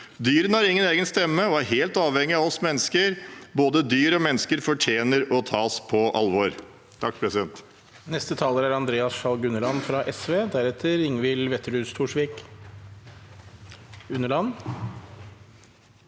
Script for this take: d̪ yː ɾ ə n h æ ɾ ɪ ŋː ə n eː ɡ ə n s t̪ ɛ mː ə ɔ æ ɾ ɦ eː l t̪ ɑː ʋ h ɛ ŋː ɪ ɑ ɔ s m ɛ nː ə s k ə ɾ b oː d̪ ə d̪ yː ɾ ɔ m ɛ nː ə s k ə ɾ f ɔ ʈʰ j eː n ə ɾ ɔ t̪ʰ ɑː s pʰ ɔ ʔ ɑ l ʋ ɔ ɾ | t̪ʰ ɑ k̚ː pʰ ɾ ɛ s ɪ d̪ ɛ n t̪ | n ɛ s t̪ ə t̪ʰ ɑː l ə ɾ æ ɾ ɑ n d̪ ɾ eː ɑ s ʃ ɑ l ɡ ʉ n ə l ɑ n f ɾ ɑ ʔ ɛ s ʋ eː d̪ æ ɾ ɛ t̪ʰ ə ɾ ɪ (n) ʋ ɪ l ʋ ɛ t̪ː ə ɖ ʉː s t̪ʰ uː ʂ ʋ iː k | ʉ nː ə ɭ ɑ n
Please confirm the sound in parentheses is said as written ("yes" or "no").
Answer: no